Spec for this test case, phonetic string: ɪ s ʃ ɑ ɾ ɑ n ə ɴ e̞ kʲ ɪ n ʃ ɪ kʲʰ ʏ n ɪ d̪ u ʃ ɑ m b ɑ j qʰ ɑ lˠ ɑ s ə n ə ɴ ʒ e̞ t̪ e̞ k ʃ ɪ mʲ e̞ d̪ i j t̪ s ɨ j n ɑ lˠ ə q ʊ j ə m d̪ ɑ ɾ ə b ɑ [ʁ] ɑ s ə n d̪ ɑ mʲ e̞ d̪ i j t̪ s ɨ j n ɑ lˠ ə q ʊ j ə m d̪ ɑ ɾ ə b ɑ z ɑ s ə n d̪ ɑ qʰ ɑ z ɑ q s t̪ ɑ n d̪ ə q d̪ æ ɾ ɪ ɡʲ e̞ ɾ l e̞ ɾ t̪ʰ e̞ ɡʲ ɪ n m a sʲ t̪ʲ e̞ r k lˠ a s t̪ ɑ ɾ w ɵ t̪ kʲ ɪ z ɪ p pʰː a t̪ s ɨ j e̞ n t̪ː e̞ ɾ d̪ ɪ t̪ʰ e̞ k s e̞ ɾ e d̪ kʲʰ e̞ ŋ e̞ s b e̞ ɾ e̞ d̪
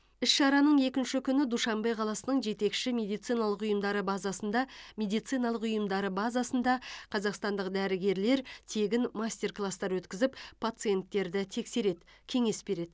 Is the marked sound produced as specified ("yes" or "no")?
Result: no